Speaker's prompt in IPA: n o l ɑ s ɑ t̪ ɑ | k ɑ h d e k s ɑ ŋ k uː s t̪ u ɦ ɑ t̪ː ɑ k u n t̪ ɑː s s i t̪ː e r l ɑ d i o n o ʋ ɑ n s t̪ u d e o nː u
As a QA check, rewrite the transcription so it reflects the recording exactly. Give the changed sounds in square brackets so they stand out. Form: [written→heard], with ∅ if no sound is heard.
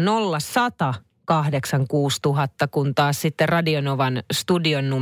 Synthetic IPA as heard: n o [l→lː] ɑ s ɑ t̪ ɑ | k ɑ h d e k s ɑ ŋ k uː s t̪ u ɦ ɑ t̪ː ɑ k u n t̪ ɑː s s i t̪ː e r [l→r] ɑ d i o n o ʋ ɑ n s t̪ u d [e→i] o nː u